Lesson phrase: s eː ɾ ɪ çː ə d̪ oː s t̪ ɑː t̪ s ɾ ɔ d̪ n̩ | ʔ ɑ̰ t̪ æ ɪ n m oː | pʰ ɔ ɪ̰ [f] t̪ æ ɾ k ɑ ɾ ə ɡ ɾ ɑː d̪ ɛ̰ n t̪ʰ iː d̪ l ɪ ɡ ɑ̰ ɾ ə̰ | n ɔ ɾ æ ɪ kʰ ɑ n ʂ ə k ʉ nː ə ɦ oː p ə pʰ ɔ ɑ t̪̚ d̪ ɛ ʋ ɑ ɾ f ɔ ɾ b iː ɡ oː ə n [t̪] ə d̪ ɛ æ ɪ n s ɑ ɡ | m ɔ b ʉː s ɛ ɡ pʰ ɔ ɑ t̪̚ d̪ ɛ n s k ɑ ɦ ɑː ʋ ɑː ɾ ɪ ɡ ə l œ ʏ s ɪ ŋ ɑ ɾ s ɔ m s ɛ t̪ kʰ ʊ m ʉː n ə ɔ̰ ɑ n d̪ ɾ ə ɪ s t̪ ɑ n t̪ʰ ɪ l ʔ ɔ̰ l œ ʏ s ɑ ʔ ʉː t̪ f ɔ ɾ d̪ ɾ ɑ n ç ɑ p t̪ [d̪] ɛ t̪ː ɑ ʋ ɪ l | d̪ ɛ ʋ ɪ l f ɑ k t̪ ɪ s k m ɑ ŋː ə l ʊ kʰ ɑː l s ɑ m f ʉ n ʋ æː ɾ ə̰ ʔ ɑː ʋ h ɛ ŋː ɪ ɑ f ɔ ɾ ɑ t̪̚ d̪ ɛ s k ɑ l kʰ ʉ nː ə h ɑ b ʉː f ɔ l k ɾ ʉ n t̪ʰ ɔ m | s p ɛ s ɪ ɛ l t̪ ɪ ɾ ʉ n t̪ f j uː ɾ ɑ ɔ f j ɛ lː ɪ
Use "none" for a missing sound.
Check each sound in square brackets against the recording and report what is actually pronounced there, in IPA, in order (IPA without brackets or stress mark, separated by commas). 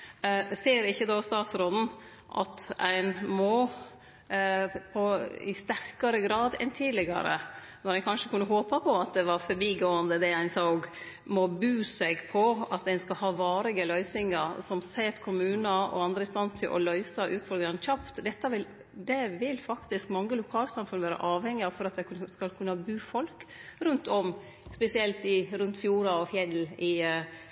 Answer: s, d̪, d̪